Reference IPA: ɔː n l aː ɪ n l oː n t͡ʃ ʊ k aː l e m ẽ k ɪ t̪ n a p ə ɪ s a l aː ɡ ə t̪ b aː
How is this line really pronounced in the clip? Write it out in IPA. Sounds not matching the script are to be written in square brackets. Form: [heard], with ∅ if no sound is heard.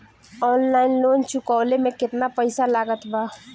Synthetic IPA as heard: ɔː n l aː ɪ n l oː n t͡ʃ ʊ k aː l e m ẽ k ɪ t̪ n a p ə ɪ s a l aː ɡ ə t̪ b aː